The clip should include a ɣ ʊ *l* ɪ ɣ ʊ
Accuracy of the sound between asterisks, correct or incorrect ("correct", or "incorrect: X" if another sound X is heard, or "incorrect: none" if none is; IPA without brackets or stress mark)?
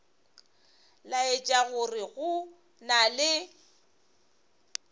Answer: incorrect: r